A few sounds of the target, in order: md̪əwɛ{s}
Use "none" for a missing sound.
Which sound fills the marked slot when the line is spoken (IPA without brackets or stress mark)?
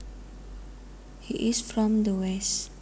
s